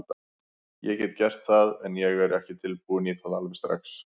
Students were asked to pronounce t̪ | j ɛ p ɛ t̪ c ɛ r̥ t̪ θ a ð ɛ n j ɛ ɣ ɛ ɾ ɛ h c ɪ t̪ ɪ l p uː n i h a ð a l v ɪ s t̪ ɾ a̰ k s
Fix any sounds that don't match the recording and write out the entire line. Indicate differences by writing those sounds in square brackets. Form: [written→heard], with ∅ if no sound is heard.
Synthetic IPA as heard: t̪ | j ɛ [p→c] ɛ t̪ c ɛ r̥ t̪ θ a ð ɛ n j ɛ ɣ ɛ ɾ ɛ h c ɪ [t̪→t̪ʰ] ɪ l p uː n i [h→θ] a ð a l v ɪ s t̪ ɾ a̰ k s